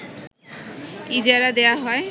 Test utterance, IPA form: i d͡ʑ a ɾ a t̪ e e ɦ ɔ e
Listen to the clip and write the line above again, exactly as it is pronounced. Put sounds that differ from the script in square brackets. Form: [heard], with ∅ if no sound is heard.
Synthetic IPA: i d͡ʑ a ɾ a [d̪] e [a] ɦ ɔ e

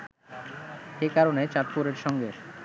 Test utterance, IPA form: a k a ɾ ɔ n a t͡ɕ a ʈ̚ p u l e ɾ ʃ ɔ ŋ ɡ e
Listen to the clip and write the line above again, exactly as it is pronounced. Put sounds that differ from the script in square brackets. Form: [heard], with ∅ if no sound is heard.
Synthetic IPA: [e] k a ɾ [o] n [e] t͡ɕ a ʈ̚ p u [ɾ] e ɾ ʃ ɔ ŋ ɡ e

